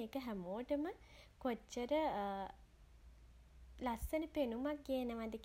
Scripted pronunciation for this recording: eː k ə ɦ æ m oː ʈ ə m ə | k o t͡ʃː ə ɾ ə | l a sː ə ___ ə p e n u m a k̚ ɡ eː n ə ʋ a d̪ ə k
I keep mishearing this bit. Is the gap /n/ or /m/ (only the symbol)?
n